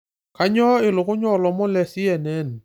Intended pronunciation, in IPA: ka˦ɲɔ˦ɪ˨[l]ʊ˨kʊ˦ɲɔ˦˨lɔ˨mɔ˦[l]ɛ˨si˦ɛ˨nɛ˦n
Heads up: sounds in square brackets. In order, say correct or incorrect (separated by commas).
correct, correct